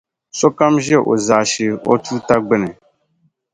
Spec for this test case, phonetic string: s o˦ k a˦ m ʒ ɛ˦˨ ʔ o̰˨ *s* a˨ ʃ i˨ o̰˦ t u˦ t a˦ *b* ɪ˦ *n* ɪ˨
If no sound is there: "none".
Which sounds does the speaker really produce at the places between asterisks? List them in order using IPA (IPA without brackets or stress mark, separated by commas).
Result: z, ɡ͡b, n